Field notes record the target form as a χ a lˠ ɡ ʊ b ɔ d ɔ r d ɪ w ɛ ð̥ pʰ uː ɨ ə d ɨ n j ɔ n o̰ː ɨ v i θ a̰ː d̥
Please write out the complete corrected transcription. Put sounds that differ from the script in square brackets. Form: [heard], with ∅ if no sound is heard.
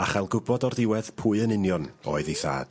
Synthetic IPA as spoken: a χ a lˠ ɡ ʊ b ɔ d ɔ r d ɪ w ɛ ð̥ pʰ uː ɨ ə [n] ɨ n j ɔ n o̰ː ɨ [ð] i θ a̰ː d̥